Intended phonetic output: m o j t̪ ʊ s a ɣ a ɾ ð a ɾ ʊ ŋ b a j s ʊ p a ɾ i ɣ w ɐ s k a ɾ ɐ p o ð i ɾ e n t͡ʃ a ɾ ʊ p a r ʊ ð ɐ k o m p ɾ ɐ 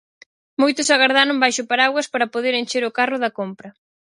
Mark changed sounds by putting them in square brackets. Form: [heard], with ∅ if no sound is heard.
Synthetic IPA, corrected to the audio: m o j t̪ ʊ s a ɣ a ɾ ð a ɾ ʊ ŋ b a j [ʃ] ʊ p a ɾ [a] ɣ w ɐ s [p] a ɾ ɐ p o ð [e] ɾ e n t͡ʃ [e] ɾ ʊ [k] a r ʊ ð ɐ k o m p ɾ ɐ